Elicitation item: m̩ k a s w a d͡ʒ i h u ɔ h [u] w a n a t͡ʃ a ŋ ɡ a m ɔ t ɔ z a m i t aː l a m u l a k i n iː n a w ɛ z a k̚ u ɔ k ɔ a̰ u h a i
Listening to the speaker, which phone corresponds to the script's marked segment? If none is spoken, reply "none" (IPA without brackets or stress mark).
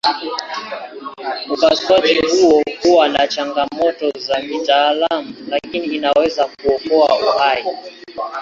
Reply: u